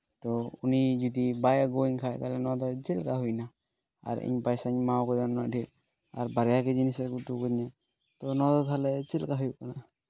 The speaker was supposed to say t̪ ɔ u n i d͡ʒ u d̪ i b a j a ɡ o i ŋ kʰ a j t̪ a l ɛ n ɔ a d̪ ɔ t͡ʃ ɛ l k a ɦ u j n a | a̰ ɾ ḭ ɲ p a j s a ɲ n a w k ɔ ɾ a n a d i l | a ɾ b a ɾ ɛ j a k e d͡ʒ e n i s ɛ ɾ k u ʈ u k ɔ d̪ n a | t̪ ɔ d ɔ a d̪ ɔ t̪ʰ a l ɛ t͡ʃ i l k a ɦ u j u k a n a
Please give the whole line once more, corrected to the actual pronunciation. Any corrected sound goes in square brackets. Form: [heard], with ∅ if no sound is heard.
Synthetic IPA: t̪ ɔ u n i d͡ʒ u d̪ i b a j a ɡ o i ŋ kʰ a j t̪ a l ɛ n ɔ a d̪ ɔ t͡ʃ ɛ l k a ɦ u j n a | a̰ ɾ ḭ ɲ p a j s a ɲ [m] a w k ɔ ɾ a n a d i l | a ɾ b a ɾ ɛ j a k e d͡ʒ [i] n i s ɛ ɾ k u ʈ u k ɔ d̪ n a | t̪ ɔ [n] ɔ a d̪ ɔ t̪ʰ a l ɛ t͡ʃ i l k a ɦ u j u k a n a